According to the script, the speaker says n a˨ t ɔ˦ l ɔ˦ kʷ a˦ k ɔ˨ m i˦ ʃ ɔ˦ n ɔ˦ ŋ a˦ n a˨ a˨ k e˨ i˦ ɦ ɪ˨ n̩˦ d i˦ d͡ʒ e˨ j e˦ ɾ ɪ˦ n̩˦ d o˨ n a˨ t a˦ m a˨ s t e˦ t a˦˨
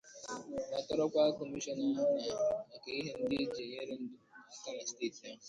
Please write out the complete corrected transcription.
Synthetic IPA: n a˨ t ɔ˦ ɾ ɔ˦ kʷ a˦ k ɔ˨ m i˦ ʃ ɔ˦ n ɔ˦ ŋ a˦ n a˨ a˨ k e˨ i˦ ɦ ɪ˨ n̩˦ d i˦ d͡ʒ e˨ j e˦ ɾ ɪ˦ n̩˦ d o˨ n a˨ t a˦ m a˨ s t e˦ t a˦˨